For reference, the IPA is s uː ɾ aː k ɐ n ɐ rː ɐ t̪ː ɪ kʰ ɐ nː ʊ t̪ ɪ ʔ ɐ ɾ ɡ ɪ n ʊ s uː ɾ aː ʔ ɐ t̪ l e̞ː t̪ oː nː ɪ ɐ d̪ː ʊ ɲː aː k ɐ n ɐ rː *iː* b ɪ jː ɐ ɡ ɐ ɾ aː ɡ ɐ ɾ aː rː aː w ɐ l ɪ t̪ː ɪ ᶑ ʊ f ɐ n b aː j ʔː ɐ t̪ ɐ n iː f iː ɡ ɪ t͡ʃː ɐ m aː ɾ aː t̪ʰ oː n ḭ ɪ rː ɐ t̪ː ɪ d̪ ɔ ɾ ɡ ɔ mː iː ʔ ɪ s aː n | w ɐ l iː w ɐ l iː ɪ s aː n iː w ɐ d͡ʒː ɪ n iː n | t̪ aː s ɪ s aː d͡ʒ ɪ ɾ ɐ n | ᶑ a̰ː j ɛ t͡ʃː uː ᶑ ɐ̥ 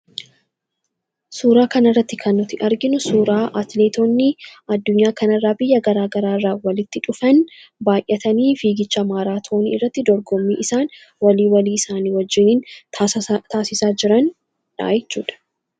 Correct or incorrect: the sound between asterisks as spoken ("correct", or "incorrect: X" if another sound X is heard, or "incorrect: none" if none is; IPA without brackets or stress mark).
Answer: incorrect: aː